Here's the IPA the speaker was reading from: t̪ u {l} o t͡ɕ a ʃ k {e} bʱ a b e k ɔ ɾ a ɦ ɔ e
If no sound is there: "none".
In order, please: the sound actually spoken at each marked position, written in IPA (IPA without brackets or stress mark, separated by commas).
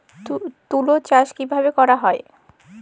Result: l, i